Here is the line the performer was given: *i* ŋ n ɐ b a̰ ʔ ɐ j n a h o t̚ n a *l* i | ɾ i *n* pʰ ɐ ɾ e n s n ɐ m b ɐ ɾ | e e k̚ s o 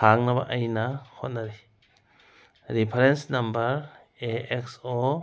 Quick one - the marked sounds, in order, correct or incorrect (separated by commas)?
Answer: incorrect, incorrect, incorrect